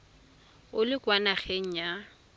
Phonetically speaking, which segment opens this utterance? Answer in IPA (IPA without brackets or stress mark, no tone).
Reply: ʊ